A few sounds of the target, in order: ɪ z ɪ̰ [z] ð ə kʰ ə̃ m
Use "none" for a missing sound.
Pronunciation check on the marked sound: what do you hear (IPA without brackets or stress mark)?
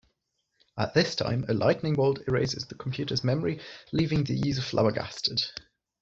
z